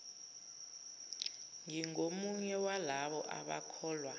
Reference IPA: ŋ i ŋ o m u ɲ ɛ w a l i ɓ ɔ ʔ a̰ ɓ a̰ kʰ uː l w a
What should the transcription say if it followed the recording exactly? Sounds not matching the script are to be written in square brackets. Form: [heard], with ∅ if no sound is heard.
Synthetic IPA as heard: ŋ i ŋ o m u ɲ ɛ w a l [a] ɓ ɔ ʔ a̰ ɓ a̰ kʰ [ɔː] l w a